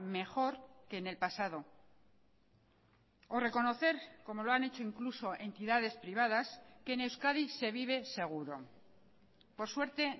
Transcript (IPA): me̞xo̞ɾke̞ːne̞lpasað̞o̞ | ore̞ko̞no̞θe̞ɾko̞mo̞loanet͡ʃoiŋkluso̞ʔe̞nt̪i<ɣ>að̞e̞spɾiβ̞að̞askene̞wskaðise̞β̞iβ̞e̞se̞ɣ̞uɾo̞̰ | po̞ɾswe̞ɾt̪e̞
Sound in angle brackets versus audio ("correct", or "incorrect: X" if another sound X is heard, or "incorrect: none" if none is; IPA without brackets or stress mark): incorrect: ð